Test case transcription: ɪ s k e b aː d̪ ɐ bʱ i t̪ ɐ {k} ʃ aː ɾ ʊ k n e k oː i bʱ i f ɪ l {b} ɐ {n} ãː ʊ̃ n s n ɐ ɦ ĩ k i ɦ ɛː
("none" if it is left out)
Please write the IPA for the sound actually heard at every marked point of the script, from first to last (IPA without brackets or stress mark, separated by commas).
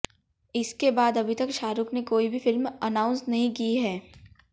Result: k, m, n